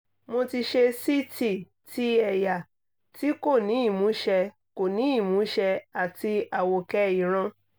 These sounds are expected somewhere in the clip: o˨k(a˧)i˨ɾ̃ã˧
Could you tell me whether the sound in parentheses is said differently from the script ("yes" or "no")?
yes